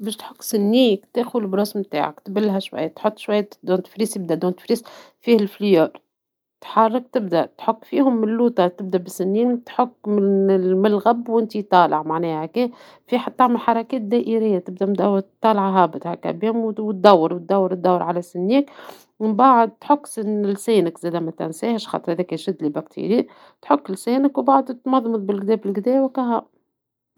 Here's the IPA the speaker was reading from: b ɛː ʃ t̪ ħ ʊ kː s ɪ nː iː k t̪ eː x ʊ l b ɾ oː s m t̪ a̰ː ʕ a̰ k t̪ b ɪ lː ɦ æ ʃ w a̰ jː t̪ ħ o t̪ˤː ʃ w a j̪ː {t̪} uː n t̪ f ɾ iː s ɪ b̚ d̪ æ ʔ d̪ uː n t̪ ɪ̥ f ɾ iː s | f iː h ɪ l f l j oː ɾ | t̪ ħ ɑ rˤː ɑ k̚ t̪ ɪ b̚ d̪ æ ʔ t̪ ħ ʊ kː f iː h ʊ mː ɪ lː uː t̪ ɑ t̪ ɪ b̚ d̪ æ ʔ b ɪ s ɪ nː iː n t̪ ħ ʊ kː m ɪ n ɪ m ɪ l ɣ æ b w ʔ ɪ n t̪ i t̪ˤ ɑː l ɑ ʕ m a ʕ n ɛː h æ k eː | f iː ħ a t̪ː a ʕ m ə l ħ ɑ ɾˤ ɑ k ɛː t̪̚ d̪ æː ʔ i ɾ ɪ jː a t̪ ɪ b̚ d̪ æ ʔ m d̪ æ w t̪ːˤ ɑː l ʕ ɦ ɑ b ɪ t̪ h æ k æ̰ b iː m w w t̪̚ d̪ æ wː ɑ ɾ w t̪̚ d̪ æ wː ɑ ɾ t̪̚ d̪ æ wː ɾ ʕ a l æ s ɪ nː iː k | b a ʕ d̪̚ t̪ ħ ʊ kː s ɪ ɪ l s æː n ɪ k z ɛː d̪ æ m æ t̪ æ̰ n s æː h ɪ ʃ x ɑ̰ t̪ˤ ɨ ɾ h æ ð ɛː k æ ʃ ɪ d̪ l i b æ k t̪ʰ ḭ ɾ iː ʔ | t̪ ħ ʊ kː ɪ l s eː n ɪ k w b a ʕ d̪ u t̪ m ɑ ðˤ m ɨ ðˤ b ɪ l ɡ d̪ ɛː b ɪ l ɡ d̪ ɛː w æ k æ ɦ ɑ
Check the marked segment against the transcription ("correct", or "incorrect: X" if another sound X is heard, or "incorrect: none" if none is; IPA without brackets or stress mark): incorrect: d̪